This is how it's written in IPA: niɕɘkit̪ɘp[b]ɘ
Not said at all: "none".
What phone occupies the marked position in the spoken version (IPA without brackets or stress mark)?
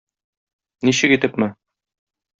m